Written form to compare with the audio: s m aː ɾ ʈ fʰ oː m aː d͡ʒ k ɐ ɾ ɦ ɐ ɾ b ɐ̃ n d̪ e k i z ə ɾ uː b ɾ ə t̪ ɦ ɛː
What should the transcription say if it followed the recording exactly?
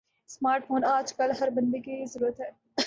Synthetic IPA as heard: s m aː ɾ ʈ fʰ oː n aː d͡ʒ k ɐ l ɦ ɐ ɾ b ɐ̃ n d̪ e k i z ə ɾ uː ɾ ə t̪ ɦ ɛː